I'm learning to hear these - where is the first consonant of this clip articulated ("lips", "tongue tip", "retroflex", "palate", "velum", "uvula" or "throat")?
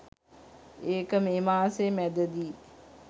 velum